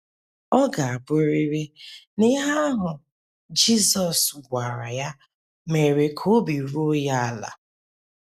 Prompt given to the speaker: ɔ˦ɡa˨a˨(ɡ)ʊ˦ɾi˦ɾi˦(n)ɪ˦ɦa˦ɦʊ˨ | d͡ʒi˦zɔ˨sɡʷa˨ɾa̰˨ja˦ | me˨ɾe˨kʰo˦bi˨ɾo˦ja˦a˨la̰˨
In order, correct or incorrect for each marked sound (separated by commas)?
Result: incorrect, correct